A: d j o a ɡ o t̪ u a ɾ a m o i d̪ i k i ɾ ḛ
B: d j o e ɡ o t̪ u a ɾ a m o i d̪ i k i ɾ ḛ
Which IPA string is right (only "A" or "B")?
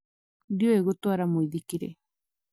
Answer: B